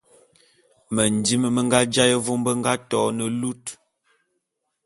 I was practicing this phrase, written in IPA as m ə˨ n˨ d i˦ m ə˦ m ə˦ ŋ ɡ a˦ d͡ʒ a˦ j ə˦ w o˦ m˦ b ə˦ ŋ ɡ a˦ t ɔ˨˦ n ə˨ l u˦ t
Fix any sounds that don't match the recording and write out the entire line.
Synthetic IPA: m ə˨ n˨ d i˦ m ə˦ m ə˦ ŋ ɡ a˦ d͡ʒ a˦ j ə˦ v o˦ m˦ b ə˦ ŋ ɡ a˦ t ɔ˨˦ n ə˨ l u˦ t